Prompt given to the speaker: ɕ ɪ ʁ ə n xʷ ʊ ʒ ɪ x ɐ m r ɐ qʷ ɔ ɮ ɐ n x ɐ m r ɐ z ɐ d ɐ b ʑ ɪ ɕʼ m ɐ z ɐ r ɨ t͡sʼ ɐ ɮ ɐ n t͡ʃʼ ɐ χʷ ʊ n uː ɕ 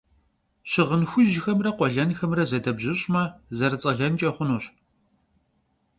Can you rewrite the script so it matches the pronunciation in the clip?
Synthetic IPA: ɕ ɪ ʁ ə n xʷ ʊ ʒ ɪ x ɐ m r ɐ qʷ ɔ ɮ ɐ n x ɐ m r ɐ z ɐ d ɐ b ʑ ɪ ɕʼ m ɐ z ɐ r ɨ t͡sʼ ɐ ɮ ɐ n t͡ʃʼ ɐ χʷ ʊ n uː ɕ